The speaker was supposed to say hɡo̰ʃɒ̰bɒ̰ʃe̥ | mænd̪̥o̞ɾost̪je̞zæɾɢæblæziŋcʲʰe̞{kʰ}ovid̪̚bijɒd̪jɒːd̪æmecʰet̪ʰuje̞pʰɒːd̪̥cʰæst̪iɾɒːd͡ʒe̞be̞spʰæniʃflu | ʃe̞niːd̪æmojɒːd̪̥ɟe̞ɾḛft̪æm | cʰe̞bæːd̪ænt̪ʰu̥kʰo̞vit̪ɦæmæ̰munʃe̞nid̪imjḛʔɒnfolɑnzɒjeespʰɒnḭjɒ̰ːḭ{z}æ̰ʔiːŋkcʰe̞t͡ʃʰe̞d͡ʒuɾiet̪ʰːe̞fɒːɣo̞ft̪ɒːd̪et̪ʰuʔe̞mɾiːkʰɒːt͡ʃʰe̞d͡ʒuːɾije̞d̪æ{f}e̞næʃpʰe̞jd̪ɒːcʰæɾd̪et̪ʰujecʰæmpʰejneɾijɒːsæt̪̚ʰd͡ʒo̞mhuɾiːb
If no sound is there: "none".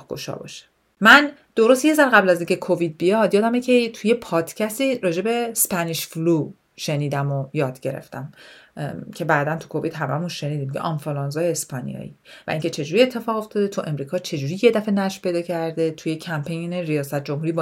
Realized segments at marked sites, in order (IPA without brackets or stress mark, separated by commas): kʰ, v, f